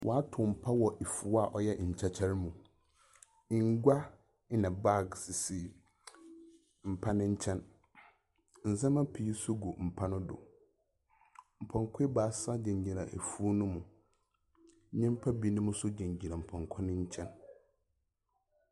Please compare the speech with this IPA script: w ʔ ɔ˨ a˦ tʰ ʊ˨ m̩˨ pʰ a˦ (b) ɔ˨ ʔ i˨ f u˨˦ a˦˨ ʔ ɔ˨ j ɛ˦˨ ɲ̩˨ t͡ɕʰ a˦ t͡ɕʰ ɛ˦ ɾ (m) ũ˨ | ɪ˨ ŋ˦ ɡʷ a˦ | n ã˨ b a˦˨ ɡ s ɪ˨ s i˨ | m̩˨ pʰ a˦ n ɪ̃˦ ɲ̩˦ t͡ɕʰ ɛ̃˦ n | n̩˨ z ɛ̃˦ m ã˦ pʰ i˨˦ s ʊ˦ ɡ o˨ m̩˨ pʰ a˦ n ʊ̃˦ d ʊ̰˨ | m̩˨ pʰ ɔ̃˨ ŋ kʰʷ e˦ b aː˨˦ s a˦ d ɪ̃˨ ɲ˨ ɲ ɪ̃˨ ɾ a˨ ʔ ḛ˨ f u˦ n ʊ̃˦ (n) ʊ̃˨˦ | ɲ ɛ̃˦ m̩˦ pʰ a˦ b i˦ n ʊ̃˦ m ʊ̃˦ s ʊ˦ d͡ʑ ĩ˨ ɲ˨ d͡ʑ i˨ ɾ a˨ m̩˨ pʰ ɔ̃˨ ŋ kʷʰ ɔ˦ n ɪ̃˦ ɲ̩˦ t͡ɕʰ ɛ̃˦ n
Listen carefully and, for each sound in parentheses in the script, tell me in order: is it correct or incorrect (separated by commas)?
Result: incorrect, correct, incorrect